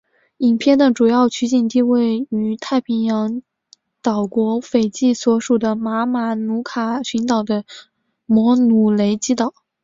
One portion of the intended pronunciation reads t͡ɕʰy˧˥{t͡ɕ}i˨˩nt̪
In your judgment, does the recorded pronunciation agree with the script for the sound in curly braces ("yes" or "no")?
yes